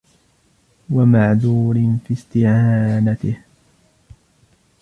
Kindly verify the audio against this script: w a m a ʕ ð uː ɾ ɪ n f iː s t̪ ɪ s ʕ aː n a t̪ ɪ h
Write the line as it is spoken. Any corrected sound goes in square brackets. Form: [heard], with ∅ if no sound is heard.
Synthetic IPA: w a m a ʕ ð uː ɾ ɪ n f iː s t̪ ɪ [∅] ʕ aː n a t̪ ɪ h